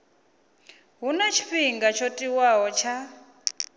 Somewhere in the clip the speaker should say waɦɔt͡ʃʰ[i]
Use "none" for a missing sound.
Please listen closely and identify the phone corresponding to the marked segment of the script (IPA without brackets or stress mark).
a